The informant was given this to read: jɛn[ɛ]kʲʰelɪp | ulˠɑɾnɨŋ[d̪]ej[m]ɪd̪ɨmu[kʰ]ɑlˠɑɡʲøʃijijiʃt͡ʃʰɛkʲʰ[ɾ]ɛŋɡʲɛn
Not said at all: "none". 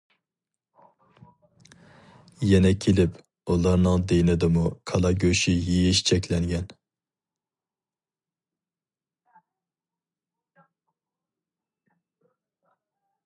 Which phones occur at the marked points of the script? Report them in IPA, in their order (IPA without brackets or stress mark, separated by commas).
ɛ, d̪, n, kʰ, l